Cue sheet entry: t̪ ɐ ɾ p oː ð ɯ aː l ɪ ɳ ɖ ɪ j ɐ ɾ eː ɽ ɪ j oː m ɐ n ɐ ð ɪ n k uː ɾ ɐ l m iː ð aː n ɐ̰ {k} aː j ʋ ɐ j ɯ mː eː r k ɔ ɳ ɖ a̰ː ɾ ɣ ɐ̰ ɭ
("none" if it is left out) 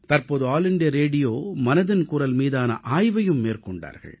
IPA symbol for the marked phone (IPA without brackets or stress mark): ʔ